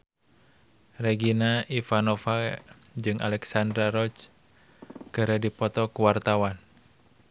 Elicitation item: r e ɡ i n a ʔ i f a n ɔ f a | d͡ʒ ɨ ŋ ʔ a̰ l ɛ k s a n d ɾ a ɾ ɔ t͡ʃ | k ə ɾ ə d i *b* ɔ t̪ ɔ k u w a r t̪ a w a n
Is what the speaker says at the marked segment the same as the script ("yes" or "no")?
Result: no